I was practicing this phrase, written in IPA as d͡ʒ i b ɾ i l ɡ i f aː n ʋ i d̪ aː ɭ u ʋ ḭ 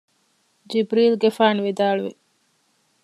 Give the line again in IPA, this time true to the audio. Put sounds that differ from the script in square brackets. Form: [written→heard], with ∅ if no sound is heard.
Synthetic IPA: d͡ʒ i b ɾ [i→iː] l ɡ [i→e] f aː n ʋ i d̪ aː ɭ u ʋ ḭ